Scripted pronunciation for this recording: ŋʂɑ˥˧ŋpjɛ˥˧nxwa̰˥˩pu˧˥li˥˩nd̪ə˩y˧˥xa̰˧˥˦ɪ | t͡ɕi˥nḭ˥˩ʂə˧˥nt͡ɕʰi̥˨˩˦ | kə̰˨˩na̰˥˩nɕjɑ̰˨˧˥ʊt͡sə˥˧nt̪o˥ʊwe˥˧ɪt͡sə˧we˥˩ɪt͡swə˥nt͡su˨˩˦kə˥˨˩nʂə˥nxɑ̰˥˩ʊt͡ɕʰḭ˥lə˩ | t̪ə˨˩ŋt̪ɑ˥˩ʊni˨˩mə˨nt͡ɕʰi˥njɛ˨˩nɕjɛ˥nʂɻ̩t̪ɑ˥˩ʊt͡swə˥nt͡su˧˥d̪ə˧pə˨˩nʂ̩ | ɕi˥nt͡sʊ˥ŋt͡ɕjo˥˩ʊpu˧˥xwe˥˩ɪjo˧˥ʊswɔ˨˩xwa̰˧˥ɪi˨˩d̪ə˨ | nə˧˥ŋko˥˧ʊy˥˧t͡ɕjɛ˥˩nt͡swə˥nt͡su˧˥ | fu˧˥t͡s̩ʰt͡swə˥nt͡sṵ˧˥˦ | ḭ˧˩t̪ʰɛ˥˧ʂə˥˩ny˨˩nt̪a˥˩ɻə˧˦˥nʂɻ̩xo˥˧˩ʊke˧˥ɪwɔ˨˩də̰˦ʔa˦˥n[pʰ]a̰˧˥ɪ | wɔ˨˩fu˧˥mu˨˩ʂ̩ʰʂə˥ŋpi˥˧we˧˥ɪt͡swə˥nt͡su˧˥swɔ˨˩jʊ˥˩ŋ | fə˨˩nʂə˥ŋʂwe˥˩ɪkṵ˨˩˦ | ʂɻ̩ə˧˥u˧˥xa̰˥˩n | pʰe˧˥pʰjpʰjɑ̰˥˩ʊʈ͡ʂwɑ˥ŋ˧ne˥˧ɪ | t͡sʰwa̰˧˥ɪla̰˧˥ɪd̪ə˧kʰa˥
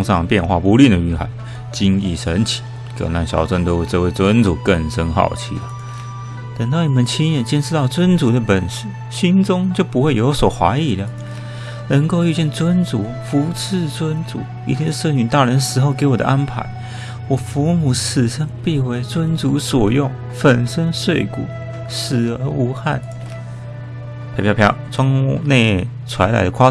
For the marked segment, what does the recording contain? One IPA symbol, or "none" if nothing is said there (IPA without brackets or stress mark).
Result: pʰ